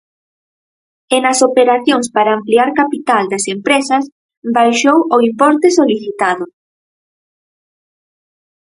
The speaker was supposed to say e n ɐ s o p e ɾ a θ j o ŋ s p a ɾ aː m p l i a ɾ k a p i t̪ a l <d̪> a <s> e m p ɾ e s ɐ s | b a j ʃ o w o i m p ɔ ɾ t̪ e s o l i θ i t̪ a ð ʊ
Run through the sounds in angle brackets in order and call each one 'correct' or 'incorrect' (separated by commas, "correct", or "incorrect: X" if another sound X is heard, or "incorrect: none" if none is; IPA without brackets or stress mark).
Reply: correct, correct